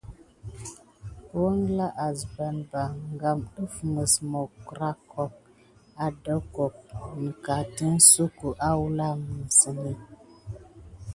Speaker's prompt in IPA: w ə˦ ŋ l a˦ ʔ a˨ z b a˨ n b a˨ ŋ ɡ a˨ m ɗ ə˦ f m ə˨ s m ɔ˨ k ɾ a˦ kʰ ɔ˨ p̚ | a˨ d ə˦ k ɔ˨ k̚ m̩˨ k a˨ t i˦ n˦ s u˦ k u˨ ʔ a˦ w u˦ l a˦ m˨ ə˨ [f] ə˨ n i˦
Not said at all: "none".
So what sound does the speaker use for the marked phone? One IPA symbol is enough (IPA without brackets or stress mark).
s